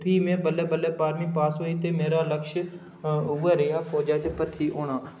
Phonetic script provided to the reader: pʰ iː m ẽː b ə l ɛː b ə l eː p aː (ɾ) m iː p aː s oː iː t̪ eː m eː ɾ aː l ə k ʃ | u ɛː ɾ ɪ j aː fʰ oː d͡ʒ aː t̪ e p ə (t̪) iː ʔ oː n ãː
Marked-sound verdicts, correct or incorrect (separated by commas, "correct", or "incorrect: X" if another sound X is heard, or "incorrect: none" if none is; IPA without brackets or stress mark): correct, incorrect: t̪ʰ